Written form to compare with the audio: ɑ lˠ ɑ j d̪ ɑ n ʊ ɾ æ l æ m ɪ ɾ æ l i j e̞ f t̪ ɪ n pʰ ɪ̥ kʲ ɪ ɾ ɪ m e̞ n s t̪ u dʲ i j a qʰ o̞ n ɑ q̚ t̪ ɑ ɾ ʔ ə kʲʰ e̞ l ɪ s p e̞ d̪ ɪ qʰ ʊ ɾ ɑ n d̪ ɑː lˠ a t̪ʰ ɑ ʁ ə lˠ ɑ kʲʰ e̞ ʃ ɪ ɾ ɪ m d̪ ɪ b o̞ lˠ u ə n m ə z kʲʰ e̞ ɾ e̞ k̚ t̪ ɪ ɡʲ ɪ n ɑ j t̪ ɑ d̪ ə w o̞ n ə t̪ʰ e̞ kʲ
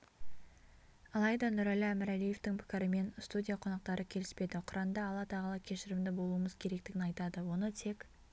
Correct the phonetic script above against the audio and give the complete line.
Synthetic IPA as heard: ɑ lˠ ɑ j d̪ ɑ n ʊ ɾ æ l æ m ɪ ɾ æ l i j e̞ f t̪ ɪ ŋ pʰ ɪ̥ kʲ ɪ ɾ ɪ m e̞ n s t̪ u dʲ i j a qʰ o̞ n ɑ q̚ t̪ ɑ ɾ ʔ ə kʲʰ e̞ l ɪ s p e̞ d̪ ɪ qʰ ʊ ɾ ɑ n d̪ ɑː lˠ ɑ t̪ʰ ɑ ʁ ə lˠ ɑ kʲʰ e̞ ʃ ɪ ɾ ɪ m d̪ ɪ b o̞ lˠ u ə m ə z kʲʰ e̞ ɾ e̞ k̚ t̪ ɪ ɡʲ ɪ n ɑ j t̪ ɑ d̪ ə w o̞ n ə t̪ʰ e̞ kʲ

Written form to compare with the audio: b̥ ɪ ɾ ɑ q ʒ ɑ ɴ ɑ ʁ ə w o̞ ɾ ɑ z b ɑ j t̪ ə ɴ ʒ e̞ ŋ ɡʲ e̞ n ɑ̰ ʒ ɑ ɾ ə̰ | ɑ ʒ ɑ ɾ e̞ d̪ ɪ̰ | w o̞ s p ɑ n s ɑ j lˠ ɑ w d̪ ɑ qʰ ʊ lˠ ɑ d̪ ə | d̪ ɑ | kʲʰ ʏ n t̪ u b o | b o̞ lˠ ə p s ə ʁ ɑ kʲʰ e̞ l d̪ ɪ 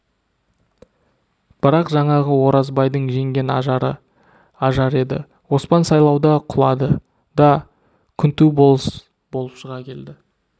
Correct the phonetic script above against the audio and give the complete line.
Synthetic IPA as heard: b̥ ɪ ɾ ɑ q ʒ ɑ ɴ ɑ ʁ ə w o̞ ɾ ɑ z b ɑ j d̪ ə ɴ ʒ e̞ ŋ ɡʲ e̞ n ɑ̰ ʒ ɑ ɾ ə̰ | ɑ ʒ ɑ ɾ e̞ d̪ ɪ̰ | w o̞ s p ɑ n s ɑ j lˠ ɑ w d̪ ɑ qʰ ʊ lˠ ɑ d̪ ə | d̪ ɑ | kʲʰ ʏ n t̪ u b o | b o̞ lˠ ə p ʃ ə ʁ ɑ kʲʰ e̞ l d̪ ɪ

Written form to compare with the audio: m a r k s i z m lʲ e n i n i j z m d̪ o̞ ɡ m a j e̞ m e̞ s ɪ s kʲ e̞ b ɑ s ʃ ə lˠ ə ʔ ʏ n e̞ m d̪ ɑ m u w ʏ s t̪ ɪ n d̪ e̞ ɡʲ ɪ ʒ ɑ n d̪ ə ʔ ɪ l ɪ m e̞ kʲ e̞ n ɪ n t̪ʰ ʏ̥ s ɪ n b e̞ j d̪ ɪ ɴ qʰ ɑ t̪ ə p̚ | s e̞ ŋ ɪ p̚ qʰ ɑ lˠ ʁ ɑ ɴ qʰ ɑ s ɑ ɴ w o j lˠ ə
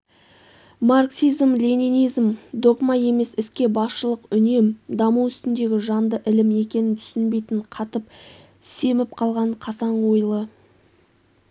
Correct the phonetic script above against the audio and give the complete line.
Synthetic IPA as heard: m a r k s i z m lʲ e n i n i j z m d̪ o̞ ɡ m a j e̞ m e̞ s ɪ s kʲ e̞ b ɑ s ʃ ə lˠ ə q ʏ n e̞ m d̪ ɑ m u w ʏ s t̪ ɪ n d̪ e̞ ɡʲ ɪ ʒ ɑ n d̪ ə ʔ ɪ l ɪ m e̞ kʲ e̞ n ɪ n t̪ʰ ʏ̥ s ɪ n b e̞ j t̪ ɪ ɴ qʰ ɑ t̪ ə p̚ | s e̞ m ɪ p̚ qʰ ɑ lˠ ʁ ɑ ɴ qʰ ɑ s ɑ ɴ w o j lˠ ə

